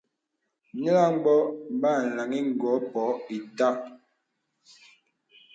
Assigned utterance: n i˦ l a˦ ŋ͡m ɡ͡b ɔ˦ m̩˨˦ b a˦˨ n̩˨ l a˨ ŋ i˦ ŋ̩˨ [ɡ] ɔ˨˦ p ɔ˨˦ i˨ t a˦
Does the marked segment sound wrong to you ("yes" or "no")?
no